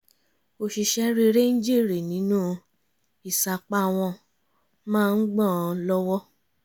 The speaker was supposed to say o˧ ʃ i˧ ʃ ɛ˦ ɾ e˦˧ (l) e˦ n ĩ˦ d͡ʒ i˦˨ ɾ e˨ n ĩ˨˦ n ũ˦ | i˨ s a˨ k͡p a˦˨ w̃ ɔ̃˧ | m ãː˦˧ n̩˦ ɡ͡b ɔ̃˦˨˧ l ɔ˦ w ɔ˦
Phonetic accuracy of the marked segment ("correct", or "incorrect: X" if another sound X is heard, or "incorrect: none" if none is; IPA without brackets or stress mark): incorrect: ɾ